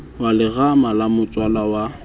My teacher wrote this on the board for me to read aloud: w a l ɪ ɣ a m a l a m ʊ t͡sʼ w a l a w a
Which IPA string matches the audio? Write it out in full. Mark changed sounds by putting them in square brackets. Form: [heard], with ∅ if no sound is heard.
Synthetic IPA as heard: w a l ɪ ɣ a m a l a m ʊ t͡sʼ w a l a w a